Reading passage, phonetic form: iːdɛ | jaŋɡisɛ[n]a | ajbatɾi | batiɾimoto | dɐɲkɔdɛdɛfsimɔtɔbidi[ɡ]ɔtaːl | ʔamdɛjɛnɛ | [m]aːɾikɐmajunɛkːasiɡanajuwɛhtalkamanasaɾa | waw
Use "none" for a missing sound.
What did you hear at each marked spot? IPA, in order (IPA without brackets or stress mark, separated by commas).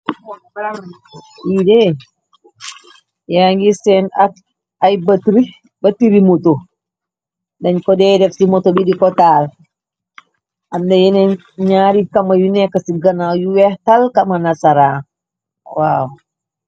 n, k, ɲ